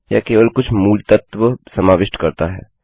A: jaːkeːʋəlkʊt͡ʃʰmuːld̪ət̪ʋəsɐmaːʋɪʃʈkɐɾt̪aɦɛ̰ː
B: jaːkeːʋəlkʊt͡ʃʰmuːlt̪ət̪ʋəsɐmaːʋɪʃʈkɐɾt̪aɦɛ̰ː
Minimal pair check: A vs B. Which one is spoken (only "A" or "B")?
B